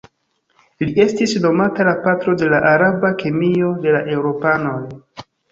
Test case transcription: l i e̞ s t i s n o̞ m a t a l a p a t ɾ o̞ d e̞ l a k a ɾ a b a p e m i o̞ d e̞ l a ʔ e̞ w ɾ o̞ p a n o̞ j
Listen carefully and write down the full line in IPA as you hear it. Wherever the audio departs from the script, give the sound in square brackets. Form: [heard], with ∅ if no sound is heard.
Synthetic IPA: l i e̞ s t i s n o̞ m a t a l a p a t ɾ o̞ d e̞ l a [ʔ] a ɾ a b a [k] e m i o̞ d e̞ l a ʔ e̞ w ɾ o̞ p a n o̞ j

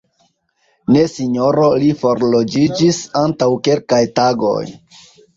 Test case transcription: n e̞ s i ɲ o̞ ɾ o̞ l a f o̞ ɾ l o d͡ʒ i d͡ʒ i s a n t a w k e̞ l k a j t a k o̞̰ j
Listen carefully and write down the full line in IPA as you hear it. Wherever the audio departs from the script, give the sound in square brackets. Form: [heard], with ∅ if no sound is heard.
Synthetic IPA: n e̞ s i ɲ o̞ ɾ o̞ l [i] f o̞ ɾ l o d͡ʒ i d͡ʒ i s a n t a w k e̞ l k a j t a [ɡ] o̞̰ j

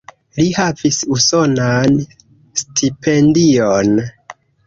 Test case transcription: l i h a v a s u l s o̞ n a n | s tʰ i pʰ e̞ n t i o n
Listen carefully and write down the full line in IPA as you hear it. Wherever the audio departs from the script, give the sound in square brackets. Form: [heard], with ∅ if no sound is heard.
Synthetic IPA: l i h a v [i] s u [∅] s o̞ n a n | s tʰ i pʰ e̞ n [d] i o n

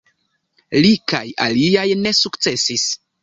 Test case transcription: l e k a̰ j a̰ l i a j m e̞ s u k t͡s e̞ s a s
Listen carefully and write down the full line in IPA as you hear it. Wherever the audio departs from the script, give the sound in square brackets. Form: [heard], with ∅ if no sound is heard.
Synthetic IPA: l [i] k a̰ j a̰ l i a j [n] e̞ s u k t͡s e̞ s [i] s

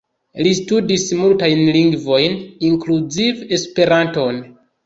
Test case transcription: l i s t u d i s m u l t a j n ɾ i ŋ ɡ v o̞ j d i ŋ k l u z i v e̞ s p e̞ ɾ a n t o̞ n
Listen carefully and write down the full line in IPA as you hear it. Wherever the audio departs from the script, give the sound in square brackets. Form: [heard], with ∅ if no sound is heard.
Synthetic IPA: l i s t u d i s m u l t a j n [l] i ŋ ɡ v o̞ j [n] i ŋ k l u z i v e̞ s p e̞ ɾ a n t o̞ n

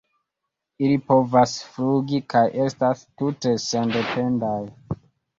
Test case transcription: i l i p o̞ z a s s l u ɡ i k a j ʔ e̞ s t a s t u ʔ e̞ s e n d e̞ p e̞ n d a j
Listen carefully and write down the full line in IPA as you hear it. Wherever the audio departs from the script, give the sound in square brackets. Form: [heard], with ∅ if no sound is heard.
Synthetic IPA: i l i p o̞ [v] a s [f] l u ɡ i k a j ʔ e̞ s t a s t u [t] e̞ s e n d e̞ p e̞ n d a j

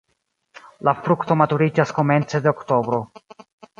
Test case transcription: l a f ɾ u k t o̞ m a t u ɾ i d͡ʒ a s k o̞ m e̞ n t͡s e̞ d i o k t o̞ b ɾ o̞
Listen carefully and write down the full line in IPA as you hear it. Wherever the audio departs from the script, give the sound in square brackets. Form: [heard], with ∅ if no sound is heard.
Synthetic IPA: l a f ɾ u k t o̞ m a t u ɾ i d͡ʒ a s k o̞ m e̞ n t͡s e̞ d [e] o k t o̞ b ɾ o̞

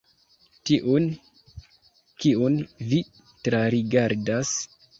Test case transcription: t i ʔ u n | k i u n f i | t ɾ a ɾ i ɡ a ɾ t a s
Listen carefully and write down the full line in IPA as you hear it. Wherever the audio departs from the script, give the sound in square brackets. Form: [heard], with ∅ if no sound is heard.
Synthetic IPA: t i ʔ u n | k i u n [v] i | t ɾ a ɾ i ɡ a ɾ [d] a s

